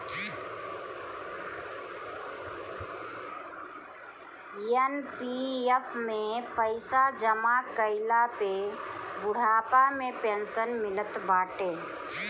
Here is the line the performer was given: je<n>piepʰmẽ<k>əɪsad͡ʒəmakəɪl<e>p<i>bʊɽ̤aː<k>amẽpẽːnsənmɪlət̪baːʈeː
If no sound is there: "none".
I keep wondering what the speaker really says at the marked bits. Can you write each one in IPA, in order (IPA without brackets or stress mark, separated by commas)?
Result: n, p, a, e, p